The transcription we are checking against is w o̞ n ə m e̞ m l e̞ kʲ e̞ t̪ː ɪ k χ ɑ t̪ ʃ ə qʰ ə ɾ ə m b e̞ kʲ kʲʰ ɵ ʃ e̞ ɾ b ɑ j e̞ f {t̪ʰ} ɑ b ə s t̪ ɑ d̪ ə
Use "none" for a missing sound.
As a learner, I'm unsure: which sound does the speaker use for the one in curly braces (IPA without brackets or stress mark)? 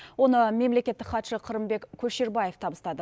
t̪ʰ